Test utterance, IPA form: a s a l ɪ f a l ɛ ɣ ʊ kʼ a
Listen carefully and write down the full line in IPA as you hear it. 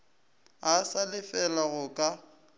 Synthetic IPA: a s a l ɪ f ɛ l a ɣ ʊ kʼ a